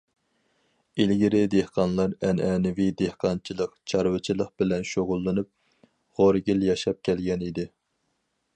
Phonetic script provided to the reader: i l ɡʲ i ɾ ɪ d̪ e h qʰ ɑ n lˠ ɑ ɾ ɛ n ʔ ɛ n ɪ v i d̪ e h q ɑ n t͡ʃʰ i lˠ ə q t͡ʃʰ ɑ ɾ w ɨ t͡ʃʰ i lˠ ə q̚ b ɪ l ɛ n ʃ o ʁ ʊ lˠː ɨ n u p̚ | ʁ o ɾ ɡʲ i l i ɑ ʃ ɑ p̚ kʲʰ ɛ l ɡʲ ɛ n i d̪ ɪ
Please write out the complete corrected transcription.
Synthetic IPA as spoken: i l ɡʲ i ɾ ɪ d̪ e h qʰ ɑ n lˠ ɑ ɾ ɛ n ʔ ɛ n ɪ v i d̪ e h q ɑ n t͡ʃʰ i lˠ ə q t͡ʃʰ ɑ ɾ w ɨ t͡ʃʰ i lˠ ə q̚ b ɪ l ɛ n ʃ o ʁ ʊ lˠː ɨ n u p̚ | ʁ o ɾ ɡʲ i l j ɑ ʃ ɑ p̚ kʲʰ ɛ l ɡʲ ɛ n i d̪ ɪ